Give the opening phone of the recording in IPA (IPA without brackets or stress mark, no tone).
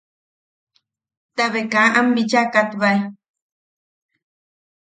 t̪